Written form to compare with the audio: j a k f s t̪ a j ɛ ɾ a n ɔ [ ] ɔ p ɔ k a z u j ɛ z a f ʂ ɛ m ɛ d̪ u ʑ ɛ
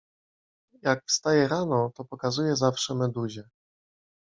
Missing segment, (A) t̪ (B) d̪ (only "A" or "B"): A